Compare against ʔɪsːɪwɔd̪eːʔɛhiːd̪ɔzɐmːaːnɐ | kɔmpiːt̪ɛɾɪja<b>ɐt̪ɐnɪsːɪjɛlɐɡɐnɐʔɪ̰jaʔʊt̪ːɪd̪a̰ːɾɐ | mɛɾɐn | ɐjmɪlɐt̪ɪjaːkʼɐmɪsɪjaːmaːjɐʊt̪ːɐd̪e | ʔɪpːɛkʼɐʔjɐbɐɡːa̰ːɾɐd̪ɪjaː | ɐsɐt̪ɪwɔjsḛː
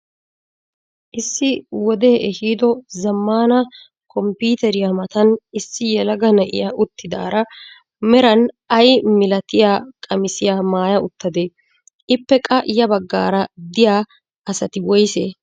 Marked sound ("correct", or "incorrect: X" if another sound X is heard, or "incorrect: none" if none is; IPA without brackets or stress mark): incorrect: m